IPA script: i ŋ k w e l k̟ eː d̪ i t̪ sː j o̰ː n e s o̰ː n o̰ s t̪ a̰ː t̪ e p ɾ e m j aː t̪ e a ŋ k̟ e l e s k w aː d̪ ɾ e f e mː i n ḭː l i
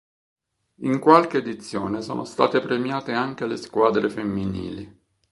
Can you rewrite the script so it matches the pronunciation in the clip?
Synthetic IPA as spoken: i ŋ k w a l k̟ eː d̪ i t̪ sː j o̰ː n e s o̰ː n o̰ s t̪ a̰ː t̪ e p ɾ e m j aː t̪ e a ŋ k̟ e l e s k w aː d̪ ɾ e f e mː i n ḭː l i